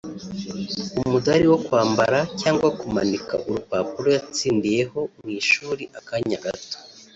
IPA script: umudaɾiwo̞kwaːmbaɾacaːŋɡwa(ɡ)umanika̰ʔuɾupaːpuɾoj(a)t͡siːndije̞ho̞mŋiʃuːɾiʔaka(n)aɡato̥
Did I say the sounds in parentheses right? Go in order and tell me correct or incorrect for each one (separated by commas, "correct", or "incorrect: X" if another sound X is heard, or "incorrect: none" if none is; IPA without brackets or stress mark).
incorrect: k, correct, incorrect: ɲ